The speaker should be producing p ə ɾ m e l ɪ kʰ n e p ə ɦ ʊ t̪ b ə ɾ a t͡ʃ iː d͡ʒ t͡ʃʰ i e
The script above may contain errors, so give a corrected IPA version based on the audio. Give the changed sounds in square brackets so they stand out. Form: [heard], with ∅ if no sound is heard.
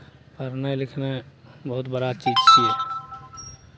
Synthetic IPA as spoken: p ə ɾ [n] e l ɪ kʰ n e [b] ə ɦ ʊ t̪ b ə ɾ a t͡ʃ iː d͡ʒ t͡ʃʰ i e